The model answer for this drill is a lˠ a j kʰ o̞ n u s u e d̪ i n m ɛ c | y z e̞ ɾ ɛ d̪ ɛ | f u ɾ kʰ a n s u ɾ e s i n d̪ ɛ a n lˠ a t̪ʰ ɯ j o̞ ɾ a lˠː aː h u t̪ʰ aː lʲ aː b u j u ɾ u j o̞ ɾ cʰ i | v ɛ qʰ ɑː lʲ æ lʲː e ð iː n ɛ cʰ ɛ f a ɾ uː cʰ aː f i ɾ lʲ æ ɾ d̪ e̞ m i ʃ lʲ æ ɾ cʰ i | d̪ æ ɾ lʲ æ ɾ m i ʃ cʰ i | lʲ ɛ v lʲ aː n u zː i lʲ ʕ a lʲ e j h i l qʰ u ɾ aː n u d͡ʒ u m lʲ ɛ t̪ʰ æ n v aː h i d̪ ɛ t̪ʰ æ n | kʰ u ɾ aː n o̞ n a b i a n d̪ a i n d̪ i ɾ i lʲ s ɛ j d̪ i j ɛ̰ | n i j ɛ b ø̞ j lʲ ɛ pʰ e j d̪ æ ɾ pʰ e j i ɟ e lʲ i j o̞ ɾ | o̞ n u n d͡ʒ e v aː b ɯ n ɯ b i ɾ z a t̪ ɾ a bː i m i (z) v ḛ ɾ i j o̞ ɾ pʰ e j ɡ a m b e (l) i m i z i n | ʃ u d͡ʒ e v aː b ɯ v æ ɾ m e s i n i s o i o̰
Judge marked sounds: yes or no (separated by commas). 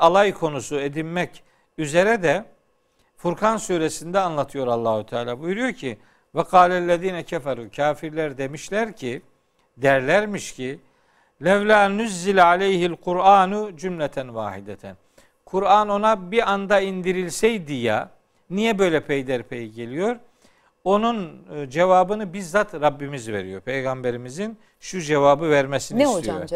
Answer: yes, no